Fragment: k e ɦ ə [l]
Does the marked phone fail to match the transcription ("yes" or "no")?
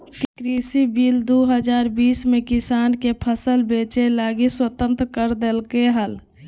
no